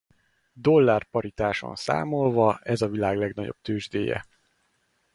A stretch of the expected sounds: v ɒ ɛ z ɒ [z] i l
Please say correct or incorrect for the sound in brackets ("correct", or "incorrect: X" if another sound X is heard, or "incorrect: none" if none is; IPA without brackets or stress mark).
incorrect: v